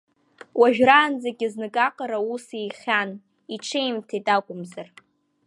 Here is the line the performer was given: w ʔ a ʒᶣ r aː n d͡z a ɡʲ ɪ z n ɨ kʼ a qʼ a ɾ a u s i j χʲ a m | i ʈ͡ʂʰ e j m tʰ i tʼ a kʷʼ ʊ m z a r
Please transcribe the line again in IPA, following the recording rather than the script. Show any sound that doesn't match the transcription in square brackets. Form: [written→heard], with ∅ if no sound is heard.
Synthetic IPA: w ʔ a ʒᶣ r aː n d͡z a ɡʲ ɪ z n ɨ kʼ a qʼ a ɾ a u s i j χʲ a [m→n] | i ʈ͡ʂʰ e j m tʰ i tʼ a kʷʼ ʊ m z a r